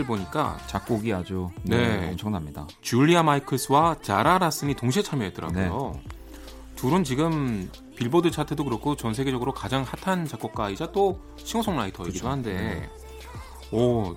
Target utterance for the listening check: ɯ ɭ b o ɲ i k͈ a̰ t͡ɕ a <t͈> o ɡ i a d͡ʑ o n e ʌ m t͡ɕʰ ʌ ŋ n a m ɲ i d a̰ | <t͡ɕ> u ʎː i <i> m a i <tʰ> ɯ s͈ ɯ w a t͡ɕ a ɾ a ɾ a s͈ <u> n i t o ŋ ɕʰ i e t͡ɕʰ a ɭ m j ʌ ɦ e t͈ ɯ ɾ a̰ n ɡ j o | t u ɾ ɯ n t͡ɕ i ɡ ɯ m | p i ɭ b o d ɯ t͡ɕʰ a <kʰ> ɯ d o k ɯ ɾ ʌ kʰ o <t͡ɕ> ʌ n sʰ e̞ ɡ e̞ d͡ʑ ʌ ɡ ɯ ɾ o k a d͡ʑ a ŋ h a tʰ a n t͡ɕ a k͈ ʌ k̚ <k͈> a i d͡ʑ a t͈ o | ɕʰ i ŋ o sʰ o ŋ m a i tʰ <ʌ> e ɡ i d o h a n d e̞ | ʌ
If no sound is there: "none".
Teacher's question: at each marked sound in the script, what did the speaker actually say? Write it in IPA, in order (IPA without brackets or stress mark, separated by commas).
k͈, t͡ɕ, a, kʰ, ɯ, tʰ, t͡ɕ, k͈, ʌ